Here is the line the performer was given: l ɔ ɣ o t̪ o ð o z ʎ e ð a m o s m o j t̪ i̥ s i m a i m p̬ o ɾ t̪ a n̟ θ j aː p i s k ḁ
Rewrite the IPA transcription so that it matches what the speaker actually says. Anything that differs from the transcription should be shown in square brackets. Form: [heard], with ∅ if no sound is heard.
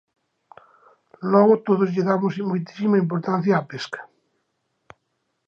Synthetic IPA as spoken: l ɔ ɣ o t̪ o ð o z ʎ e ð a m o s m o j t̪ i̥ s i m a i m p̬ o ɾ t̪ a n̟ θ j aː p [e] s k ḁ